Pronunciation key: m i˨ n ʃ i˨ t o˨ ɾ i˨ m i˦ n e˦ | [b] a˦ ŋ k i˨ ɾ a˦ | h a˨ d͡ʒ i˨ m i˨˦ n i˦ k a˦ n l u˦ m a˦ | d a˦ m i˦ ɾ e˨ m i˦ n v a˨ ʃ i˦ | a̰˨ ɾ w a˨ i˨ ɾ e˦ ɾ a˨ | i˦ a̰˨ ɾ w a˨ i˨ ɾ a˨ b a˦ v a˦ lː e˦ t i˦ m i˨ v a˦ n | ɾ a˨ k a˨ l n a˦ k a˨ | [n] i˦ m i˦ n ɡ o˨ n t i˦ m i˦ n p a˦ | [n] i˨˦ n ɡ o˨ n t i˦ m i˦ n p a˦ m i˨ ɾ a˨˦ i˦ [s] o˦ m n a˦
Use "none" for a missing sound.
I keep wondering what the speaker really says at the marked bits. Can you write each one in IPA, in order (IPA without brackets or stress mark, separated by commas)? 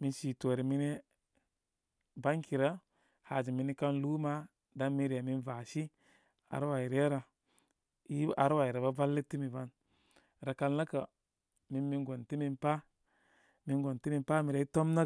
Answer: b, m, m, t